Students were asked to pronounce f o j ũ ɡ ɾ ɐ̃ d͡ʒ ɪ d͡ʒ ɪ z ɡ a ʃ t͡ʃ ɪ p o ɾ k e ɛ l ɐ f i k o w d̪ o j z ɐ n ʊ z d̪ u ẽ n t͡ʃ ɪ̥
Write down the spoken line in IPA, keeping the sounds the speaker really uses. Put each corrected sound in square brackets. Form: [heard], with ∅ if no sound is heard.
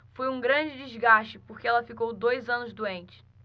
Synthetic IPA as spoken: f o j ũ ɡ ɾ ɐ̃ d͡ʒ ɪ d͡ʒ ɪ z ɡ a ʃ t͡ʃ ɪ p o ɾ k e ɛ l ɐ f i k o w d̪ o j z [ɐ̃] n ʊ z d̪ u ẽ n t͡ʃ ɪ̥